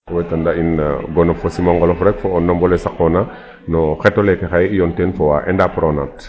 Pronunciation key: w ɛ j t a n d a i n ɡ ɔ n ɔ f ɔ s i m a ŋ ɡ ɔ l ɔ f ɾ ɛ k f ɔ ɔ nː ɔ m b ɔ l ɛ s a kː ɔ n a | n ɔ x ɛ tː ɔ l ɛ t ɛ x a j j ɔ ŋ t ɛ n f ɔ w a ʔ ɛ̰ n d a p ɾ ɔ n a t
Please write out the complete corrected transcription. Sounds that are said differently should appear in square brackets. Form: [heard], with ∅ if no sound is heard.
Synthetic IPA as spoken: w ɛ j t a n d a i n ɡ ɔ n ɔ f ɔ s i m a ŋ ɡ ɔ l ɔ f ɾ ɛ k f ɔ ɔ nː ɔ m b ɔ l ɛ s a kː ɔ n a | n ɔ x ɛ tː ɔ l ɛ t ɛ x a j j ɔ [n] t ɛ n f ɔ w a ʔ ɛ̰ n d a p ɾ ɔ n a t

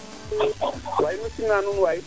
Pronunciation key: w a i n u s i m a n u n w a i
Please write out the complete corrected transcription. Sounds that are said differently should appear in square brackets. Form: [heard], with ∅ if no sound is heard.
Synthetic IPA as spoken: w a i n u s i [n] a n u n w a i

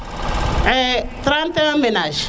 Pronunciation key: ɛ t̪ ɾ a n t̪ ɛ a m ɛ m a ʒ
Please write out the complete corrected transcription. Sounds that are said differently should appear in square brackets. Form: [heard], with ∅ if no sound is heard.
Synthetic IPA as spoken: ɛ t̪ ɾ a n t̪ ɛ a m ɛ [n] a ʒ

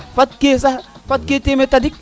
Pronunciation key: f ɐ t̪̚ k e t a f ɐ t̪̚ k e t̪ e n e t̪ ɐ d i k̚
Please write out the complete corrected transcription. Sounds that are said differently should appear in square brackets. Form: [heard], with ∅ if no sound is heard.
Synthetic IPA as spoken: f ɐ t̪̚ k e [s] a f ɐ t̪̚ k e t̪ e [m] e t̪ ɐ d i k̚

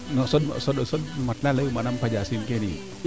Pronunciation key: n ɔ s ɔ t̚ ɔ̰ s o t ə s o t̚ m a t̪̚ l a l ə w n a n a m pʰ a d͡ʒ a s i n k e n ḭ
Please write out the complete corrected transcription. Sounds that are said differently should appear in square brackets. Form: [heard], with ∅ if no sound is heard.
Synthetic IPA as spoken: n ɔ s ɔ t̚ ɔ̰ s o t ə s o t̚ m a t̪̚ l a l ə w [m] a n a m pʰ a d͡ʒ a s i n k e n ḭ

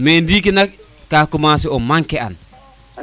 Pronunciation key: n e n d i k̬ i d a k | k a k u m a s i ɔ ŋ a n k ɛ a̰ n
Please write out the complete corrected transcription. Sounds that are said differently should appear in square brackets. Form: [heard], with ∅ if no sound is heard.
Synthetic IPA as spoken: [m] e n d i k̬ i [n] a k | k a k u m a s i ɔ [m] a [ŋ] k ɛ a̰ n

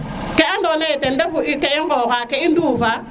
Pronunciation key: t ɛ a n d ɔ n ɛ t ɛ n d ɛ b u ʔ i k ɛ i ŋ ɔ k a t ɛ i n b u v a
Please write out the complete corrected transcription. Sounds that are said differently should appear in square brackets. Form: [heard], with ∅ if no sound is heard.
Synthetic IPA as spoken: [k] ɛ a n d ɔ n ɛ t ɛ n d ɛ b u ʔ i k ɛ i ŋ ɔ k a [k] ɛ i n [d] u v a

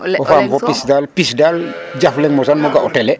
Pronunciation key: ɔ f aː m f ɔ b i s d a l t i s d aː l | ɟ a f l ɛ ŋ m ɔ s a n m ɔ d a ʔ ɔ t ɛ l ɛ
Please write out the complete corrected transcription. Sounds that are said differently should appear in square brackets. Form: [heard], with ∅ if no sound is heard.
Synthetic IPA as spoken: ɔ f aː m f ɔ [p] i s d a l [p] i s d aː l | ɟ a f l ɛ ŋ m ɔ s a n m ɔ [ɡ] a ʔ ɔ t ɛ l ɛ

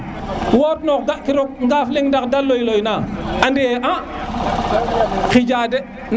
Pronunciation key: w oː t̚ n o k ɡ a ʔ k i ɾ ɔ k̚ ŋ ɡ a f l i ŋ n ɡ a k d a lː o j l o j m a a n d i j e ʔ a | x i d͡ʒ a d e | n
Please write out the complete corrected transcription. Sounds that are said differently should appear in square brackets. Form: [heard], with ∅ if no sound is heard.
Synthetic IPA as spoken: w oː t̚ n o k ɡ a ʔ k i ɾ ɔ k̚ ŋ ɡ a f l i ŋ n [d] a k d a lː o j l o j [n] a a n d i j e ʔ a | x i d͡ʒ a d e | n

